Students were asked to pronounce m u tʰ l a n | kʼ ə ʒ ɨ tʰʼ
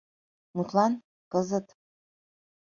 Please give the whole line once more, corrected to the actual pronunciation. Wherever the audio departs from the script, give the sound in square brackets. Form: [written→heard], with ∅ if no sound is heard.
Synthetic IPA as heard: m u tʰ l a n | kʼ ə [ʒ→z] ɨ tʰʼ